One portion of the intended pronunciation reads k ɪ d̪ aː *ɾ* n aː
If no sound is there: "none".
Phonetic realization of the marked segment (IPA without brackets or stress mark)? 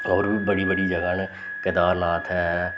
ɾ